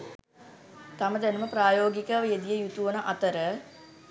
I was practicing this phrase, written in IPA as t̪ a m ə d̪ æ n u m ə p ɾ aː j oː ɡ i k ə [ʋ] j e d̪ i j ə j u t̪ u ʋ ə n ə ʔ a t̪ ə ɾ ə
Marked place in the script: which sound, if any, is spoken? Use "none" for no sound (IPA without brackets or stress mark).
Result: ʋ